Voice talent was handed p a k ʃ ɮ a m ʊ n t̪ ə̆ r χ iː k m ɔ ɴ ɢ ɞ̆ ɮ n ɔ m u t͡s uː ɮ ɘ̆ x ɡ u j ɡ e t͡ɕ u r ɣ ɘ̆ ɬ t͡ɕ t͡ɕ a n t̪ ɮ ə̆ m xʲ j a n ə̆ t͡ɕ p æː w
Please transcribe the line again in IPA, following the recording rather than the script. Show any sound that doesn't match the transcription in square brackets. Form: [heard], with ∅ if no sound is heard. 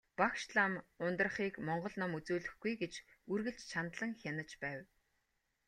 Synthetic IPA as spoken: p a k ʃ ɮ a m ʊ n t̪ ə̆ r χ iː k m ɔ ɴ ɢ ɞ̆ ɮ n ɔ m u t͡s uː ɮ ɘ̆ x ɡ u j ɡ e t͡ɕ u r ɣ ɘ̆ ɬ t͡ɕ [t͡ɕʰ] a n t̪ ɮ ə̆ [ŋ] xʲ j a n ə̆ t͡ɕ p æː w

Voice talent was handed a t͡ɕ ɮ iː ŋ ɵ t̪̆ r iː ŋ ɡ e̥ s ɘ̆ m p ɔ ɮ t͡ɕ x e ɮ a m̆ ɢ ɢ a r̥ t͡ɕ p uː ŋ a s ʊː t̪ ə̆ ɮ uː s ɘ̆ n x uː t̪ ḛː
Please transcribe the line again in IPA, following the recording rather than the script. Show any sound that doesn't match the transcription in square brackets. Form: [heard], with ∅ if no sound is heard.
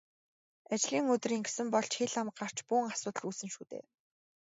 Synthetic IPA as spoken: a t͡ɕ ɮ iː ŋ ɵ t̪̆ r iː ŋ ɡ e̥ s ɘ̆ m p ɔ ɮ t͡ɕ x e ɮ a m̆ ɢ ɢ a r̥ t͡ɕ p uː ŋ a s ʊː t̪ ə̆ ɮ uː s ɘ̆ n [ʃ] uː t̪ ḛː

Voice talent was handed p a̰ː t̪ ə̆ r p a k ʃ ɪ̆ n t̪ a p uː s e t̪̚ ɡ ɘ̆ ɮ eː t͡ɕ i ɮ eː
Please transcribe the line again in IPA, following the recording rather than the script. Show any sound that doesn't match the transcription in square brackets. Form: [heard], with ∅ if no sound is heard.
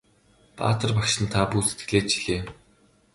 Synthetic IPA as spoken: p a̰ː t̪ ə̆ r p a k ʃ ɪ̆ n [t̪ʰ] a p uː s e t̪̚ ɡ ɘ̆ ɮ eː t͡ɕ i ɮ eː

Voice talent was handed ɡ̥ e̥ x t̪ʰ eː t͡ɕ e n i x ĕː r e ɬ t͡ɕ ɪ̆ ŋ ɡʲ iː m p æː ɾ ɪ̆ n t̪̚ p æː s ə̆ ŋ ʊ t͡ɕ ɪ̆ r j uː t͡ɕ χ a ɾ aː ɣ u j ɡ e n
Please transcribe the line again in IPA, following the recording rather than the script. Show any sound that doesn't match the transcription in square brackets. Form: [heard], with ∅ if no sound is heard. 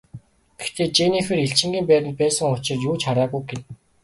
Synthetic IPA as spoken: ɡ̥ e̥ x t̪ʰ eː t͡ɕ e n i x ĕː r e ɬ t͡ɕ ɪ̆ ŋ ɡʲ iː m p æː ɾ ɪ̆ n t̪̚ p æː s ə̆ ŋ ʊ t͡ɕ ɪ̆ r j uː t͡ɕ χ a ɾ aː ɣ u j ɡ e n

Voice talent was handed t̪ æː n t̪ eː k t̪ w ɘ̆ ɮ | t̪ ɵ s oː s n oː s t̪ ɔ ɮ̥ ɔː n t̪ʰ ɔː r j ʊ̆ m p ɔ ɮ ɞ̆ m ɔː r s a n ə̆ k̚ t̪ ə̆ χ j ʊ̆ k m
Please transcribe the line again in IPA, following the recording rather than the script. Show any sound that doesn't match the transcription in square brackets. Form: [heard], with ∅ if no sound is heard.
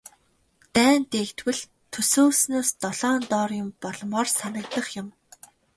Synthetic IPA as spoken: t̪ æː n t̪ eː k t̪ w ɘ̆ ɮ | [t̪ʰ] ɵ s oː s n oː s t̪ ɔ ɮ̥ ɔː n [t̪] ɔː r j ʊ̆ m p ɔ ɮ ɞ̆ m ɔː r s a n ə̆ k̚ t̪ ə̆ χ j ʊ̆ [∅] m

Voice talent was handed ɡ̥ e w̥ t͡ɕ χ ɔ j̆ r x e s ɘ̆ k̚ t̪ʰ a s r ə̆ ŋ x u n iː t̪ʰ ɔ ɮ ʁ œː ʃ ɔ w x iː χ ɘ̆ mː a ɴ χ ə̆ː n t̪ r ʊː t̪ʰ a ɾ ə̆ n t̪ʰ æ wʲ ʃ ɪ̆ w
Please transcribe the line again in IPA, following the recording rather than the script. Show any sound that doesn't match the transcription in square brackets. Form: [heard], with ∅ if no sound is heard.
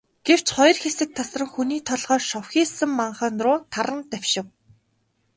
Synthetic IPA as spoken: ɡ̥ e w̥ t͡ɕ χ ɔ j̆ r x e s ɘ̆ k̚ t̪ʰ a s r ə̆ ŋ x u n iː t̪ʰ ɔ ɮ ʁ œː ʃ ɔ w x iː [s] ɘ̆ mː a ɴ χ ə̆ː n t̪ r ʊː t̪ʰ a ɾ ə̆ n [t̪] æ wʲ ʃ ɪ̆ w

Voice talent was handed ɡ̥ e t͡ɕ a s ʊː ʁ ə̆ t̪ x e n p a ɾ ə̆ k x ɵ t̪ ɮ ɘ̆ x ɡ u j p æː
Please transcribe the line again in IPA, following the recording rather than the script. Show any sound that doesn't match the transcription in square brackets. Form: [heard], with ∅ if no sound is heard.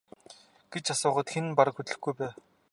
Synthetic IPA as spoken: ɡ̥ e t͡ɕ a s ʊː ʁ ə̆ t̪ x e n p a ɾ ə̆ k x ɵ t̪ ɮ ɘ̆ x ɡ u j p æː

